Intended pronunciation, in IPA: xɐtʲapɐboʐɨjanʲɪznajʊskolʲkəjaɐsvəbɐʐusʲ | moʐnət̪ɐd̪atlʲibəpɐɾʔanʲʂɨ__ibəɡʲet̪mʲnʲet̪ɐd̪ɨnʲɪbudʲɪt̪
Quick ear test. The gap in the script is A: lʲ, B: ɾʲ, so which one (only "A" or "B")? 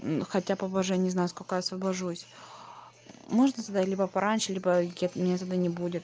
A